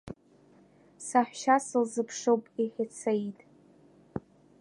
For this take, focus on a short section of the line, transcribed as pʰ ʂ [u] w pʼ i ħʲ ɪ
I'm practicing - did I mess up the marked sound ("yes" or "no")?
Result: yes